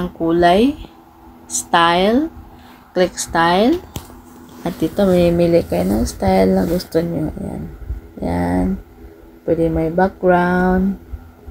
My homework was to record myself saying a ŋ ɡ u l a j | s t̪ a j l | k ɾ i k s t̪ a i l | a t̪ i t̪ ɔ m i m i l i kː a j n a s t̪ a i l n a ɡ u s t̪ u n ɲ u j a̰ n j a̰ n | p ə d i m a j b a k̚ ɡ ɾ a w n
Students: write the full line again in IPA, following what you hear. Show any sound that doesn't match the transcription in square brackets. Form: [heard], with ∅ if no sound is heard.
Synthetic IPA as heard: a ŋ [k] u l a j | s t̪ a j l | k [l] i k s t̪ a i l | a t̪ i t̪ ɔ m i m i l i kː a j n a s t̪ a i l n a ɡ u s t̪ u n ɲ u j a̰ n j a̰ n | p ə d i m a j b a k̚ ɡ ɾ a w n